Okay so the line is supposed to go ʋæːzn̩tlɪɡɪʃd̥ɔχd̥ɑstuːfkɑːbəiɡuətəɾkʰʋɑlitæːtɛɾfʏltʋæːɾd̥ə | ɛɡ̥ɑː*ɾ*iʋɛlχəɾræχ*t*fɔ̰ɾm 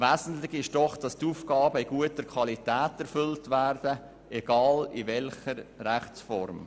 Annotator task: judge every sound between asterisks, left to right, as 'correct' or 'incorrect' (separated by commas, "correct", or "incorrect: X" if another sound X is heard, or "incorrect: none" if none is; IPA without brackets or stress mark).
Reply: incorrect: l, incorrect: t͡s